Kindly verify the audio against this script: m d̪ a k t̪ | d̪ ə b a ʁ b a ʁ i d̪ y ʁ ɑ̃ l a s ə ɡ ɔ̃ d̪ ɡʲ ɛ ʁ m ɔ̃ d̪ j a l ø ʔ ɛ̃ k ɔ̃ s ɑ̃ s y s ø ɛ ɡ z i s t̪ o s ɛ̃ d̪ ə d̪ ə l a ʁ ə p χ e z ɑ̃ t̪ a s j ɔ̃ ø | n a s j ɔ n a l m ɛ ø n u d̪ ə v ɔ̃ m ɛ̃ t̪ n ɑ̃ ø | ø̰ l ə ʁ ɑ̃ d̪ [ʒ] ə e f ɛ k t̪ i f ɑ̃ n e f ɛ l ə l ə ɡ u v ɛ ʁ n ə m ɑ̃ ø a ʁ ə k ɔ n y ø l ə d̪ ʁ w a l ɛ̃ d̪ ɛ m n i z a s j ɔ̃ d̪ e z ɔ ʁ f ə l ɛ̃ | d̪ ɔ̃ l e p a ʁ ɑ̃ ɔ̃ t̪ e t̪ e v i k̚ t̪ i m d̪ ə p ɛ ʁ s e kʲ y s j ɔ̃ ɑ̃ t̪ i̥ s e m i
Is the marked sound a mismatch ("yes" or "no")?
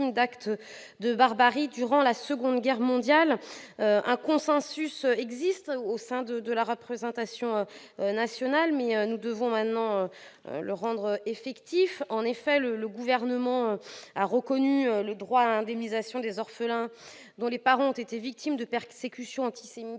yes